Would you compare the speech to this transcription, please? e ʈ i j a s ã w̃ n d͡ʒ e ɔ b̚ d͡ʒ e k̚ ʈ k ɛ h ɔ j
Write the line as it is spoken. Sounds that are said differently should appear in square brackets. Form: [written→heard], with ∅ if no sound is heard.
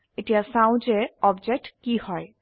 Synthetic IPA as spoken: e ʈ i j a s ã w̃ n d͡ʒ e ɔ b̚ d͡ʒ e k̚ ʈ k [ɛ→i] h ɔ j